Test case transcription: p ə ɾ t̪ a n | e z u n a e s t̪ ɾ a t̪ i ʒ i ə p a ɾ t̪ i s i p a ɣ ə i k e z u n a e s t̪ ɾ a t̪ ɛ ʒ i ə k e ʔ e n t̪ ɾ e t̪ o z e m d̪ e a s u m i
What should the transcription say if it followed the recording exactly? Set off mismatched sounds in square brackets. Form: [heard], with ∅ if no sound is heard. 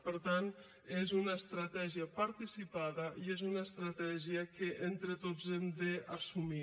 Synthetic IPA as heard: p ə ɾ t̪ a n | e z u n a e s t̪ ɾ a t̪ [ɛ] ʒ i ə p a ɾ t̪ i s i p a [ð] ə i [∅] e z u n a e s t̪ ɾ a t̪ ɛ ʒ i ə k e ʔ e n t̪ ɾ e t̪ o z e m d̪ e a s u m i